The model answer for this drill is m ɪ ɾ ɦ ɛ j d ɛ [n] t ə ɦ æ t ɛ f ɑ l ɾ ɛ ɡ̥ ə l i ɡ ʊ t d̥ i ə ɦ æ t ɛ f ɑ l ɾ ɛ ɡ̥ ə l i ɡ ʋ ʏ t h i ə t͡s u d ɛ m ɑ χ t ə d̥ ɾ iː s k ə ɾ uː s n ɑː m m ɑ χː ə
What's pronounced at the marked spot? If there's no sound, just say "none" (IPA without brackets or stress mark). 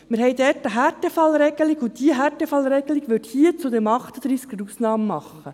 none